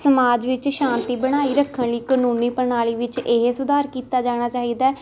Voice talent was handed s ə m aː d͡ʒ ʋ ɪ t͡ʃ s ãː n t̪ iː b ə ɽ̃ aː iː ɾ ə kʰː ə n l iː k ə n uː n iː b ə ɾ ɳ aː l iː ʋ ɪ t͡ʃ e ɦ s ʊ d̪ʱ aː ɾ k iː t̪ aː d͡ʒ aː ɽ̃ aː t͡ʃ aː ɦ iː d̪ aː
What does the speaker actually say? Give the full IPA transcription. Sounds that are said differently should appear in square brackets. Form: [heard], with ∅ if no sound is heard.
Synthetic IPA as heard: s ə m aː d͡ʒ ʋ ɪ t͡ʃ [ʃ] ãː n t̪ iː b ə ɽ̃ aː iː ɾ ə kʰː ə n l iː k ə n uː n iː [p] ə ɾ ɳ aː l iː ʋ ɪ t͡ʃ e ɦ s ʊ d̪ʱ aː ɾ k iː t̪ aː d͡ʒ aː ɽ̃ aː t͡ʃ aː ɦ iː d̪ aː